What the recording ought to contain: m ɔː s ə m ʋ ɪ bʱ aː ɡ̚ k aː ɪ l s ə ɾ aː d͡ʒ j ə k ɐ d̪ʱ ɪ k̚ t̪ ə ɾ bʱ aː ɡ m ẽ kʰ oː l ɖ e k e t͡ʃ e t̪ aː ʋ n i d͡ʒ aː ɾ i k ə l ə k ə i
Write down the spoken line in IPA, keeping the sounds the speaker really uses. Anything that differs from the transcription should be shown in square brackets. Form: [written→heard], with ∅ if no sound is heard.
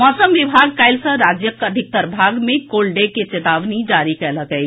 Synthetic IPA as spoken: m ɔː s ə m ʋ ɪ bʱ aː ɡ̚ k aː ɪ l s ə ɾ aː d͡ʒ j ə k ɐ d̪ʱ ɪ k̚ t̪ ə ɾ bʱ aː ɡ m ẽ [kʰ→k] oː l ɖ e k e t͡ʃ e t̪ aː ʋ n i d͡ʒ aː ɾ i k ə l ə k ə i